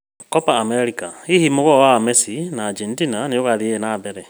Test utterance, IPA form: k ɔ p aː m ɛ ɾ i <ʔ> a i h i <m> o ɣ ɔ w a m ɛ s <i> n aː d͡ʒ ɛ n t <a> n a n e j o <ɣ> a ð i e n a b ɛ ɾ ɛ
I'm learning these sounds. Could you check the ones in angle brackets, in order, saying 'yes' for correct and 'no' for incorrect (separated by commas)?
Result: no, yes, yes, no, yes